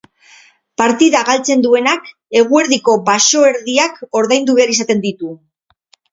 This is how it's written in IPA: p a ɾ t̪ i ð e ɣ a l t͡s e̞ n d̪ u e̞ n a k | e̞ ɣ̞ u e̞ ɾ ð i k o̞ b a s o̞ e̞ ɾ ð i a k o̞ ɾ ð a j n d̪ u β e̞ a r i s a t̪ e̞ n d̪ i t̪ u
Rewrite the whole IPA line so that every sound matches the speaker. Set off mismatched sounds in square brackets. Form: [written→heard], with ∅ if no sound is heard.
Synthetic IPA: p a ɾ t̪ i ð [e→a] ɣ a l t͡s e̞ n d̪ u e̞ n a k | e̞ ɣ̞ u e̞ ɾ ð i k o̞ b a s o̞ e̞ ɾ ð i a k o̞ ɾ ð a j n d̪ u β e̞ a [r→ɾ] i s a t̪ e̞ n d̪ i t̪ u